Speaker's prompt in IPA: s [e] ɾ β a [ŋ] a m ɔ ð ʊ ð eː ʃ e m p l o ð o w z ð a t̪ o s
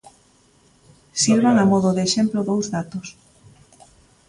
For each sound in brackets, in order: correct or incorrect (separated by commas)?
incorrect, correct